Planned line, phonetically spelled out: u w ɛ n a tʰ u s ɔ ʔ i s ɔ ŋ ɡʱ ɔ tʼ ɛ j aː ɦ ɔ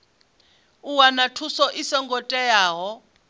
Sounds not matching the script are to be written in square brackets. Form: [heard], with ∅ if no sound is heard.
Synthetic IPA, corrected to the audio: u w [a] n a tʰ u s ɔ ʔ i s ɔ ŋ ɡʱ ɔ tʼ ɛ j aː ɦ ɔ